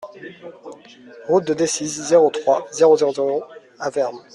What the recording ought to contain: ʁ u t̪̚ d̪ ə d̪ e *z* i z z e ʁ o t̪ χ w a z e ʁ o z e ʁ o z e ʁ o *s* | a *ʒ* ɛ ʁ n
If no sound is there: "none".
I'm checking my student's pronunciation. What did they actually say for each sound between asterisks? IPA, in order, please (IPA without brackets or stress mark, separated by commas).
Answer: s, none, v